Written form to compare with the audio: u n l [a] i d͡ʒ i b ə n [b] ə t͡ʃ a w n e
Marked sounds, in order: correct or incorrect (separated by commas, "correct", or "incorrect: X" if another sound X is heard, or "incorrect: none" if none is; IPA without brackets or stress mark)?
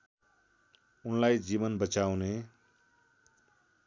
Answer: correct, correct